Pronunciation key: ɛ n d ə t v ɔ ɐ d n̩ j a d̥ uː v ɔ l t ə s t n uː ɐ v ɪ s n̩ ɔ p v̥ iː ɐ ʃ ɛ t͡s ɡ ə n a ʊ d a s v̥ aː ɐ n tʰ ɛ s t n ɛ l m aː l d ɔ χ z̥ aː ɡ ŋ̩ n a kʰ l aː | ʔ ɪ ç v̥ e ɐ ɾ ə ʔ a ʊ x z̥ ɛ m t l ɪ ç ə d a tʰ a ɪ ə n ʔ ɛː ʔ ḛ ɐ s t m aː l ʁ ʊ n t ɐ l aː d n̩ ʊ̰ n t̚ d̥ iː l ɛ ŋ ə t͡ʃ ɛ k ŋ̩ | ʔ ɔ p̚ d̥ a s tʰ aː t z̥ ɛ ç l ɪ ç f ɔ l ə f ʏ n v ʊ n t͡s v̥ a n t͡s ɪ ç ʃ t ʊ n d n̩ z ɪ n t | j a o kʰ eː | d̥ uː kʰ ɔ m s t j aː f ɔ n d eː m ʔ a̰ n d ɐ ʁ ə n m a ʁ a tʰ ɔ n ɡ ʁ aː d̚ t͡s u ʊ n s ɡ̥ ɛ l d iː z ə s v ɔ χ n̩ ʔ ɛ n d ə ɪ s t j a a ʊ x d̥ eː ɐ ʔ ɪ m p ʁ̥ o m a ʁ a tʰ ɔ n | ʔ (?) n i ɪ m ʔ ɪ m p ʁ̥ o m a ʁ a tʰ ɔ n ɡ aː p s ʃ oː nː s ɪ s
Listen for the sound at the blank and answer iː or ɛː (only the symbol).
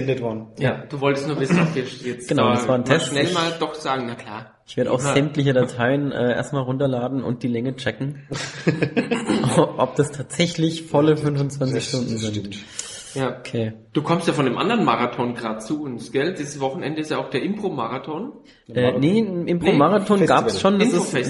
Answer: ɛː